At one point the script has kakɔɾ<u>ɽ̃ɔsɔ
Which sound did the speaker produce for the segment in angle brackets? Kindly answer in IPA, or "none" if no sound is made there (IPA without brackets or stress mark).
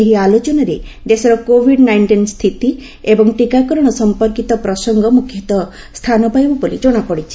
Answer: ɔ